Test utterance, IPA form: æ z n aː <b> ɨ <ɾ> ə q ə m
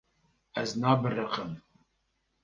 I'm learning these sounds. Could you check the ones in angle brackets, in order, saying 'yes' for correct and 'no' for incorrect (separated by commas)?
yes, no